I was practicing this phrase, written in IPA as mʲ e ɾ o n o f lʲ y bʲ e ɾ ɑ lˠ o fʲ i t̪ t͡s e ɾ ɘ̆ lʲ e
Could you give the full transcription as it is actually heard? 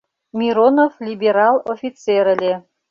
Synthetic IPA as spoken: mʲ i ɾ o n o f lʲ i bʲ e ɾ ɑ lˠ o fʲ i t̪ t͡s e ɾ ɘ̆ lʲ e